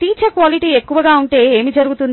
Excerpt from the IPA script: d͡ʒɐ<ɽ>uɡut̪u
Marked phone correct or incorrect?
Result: incorrect